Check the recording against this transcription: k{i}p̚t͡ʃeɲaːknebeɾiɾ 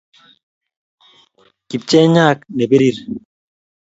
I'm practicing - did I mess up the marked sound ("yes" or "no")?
no